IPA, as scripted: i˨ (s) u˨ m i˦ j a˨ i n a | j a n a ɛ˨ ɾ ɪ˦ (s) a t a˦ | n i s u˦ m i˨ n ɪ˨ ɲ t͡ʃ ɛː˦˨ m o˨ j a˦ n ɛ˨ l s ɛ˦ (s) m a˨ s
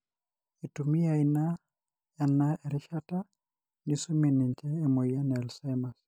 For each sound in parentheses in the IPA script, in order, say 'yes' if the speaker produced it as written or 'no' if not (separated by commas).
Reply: no, no, no